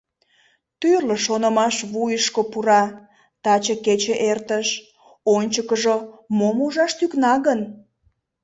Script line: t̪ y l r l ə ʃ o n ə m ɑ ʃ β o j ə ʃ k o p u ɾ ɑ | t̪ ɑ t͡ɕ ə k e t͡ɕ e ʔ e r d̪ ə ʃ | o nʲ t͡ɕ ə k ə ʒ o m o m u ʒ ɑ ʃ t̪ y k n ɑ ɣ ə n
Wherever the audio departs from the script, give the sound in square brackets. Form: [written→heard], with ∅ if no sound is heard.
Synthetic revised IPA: t̪ y [l→∅] r l ə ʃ o n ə m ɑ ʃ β [o→u] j ə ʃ k o p u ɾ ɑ | t̪ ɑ t͡ɕ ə k e t͡ɕ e ʔ e r [d̪→t̪] ə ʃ | o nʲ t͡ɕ ə k ə ʒ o m o m u ʒ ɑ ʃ t̪ y k n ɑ ɣ ə n